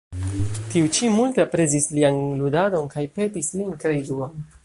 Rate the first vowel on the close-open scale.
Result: close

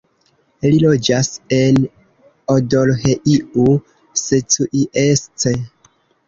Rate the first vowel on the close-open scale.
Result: close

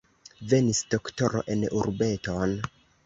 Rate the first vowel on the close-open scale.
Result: mid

